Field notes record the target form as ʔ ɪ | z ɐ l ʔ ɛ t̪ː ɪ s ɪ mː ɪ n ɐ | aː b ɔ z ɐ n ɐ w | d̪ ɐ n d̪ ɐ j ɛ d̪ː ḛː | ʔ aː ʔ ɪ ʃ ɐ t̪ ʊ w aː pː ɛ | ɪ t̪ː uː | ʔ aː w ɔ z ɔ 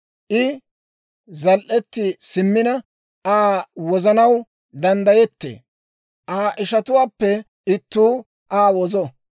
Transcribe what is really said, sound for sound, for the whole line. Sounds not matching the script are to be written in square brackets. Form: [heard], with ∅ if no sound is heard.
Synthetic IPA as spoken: ʔ ɪ | z ɐ l ʔ ɛ t̪ː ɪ s ɪ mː ɪ n ɐ | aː [w] ɔ z ɐ n ɐ w | d̪ ɐ n d̪ ɐ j ɛ [t̪ː] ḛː | ʔ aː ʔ ɪ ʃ ɐ t̪ ʊ w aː pː ɛ | ɪ t̪ː uː | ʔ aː w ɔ z ɔ